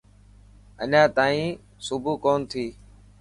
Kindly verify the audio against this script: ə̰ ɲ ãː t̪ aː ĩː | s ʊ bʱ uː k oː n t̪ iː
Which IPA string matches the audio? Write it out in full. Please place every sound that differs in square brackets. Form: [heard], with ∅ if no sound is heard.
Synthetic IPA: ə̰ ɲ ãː t̪ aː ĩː | s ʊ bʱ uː k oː n [t̪ʰ] iː